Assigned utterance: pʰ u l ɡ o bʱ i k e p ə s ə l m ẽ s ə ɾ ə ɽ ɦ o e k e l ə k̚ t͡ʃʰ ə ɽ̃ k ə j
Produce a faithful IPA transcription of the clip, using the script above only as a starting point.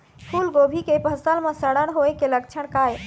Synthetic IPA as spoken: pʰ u l ɡ o bʱ i k e p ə s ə l m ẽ s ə ɽ ə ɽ ɦ o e k e l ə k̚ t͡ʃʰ ə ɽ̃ k a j